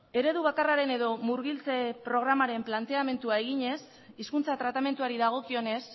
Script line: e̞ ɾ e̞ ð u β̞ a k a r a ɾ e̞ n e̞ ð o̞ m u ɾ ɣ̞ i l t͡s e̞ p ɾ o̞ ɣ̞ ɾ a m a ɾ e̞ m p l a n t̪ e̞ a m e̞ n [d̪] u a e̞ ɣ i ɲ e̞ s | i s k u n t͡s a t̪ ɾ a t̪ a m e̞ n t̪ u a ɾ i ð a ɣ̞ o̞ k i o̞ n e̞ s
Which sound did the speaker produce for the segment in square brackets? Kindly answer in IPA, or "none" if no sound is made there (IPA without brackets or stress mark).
t̪